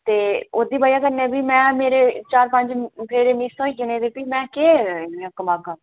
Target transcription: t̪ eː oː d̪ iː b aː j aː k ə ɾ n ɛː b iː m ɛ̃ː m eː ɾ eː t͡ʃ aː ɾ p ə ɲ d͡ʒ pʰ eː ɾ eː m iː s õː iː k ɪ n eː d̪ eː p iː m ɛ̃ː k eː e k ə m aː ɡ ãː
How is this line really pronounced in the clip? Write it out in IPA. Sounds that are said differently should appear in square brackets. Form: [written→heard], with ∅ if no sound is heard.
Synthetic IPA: t̪ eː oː d̪ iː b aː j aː k ə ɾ n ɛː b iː m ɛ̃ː m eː ɾ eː t͡ʃ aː ɾ p ə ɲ d͡ʒ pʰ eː ɾ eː m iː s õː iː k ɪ n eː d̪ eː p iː m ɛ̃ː k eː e k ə m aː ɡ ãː